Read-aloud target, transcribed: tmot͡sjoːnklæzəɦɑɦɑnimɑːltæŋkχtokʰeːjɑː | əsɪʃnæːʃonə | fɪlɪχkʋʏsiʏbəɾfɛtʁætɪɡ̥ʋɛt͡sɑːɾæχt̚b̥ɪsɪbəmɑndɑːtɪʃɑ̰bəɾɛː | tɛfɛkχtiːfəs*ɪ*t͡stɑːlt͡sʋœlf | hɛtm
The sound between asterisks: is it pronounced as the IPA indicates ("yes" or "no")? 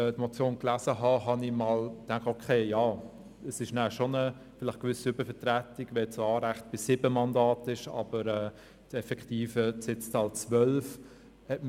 yes